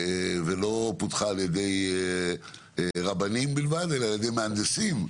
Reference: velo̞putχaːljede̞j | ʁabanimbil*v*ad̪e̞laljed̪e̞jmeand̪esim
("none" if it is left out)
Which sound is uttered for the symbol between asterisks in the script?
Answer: v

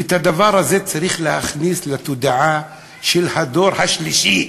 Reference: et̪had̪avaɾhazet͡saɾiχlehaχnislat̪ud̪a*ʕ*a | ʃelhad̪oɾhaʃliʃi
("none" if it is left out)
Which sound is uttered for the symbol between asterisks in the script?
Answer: ʕ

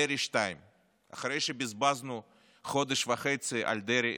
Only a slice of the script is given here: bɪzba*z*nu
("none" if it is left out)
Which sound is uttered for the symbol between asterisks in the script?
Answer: z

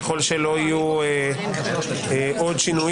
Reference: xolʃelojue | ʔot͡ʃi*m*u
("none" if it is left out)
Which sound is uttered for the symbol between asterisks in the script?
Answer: n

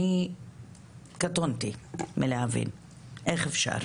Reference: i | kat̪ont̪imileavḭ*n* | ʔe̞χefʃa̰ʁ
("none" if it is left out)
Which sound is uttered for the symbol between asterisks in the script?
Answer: n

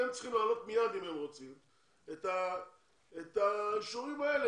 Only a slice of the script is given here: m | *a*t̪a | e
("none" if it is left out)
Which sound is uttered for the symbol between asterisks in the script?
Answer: e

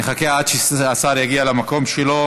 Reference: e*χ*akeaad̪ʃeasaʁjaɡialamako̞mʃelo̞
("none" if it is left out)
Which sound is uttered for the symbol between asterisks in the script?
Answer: χ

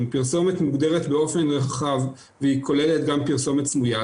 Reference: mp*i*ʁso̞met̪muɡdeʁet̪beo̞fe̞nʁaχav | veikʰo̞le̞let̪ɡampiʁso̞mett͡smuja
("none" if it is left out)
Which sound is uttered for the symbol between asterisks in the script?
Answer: i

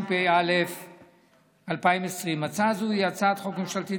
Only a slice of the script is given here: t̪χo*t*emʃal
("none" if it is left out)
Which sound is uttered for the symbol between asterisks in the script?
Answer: k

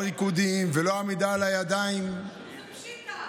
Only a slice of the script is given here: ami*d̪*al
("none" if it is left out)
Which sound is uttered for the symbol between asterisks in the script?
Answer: d̪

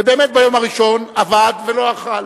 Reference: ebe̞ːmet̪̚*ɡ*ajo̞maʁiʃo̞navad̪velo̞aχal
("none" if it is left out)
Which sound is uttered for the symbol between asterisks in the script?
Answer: b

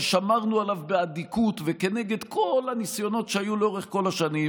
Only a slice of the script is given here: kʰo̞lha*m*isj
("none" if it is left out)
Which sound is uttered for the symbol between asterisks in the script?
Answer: n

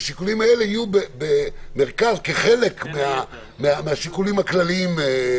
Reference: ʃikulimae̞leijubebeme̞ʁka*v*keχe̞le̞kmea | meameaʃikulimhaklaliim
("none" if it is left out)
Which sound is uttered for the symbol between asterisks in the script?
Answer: z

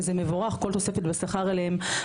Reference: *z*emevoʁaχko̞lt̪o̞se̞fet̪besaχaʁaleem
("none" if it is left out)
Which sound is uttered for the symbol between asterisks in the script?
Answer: z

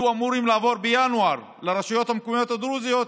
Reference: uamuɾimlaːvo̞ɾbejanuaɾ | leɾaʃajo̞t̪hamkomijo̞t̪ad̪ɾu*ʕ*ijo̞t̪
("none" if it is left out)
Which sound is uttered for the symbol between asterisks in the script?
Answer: z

